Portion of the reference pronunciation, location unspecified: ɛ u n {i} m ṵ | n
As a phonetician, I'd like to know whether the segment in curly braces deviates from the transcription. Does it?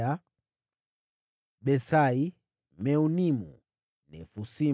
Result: no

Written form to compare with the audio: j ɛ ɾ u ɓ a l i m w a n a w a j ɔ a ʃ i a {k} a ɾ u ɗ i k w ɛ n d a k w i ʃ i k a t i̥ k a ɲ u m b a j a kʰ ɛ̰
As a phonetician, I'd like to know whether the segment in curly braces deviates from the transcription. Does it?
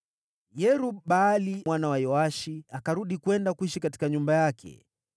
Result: no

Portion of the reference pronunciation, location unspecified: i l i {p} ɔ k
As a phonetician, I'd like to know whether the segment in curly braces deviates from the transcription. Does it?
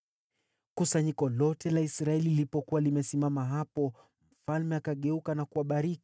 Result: no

